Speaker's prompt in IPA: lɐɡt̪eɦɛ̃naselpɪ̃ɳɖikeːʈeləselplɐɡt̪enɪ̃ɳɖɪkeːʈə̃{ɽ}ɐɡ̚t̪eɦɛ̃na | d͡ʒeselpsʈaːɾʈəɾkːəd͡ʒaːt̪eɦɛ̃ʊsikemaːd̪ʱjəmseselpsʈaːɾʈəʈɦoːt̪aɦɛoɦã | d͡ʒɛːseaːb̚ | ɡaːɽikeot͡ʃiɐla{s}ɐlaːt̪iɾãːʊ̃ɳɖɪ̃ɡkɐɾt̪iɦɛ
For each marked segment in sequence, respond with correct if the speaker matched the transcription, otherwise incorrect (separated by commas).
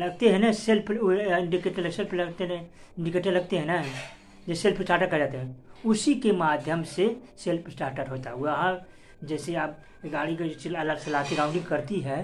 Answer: incorrect, correct